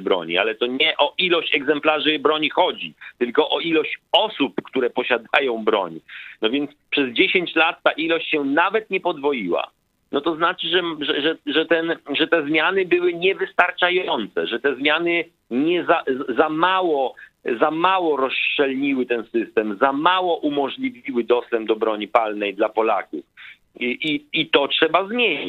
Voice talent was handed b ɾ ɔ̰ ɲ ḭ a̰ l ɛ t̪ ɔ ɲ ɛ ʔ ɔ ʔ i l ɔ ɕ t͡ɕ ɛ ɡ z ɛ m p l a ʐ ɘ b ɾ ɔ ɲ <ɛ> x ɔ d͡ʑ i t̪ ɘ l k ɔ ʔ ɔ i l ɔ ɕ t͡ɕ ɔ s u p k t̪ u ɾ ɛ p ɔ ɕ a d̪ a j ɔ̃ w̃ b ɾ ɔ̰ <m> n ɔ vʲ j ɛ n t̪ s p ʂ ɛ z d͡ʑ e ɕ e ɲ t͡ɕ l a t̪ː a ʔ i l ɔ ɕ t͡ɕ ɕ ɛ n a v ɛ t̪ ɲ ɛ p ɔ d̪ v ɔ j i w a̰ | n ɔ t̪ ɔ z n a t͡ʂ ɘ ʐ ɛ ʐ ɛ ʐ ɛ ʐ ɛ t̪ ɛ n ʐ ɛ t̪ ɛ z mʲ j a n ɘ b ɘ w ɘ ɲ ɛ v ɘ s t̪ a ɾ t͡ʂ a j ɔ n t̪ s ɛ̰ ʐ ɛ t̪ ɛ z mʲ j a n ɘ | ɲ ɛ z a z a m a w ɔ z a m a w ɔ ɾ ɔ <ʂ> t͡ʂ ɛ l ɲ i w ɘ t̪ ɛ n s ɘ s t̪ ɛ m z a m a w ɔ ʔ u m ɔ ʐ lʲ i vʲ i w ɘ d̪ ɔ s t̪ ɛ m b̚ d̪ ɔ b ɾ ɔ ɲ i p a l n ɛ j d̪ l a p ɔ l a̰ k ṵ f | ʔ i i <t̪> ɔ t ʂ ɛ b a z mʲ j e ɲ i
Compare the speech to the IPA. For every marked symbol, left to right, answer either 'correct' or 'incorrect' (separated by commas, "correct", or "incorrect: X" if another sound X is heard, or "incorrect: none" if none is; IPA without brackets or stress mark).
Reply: incorrect: i, incorrect: ɲ, incorrect: s, correct